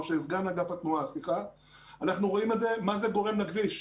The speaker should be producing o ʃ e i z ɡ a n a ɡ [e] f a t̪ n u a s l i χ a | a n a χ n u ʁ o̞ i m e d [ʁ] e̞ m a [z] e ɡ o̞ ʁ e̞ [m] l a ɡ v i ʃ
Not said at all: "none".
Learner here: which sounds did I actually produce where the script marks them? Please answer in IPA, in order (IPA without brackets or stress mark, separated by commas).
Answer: a, z, z, m